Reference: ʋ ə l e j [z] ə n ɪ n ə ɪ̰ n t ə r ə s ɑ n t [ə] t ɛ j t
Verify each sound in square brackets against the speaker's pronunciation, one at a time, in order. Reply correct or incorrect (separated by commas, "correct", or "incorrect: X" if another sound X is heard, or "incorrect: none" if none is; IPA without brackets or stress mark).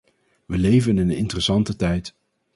incorrect: v, correct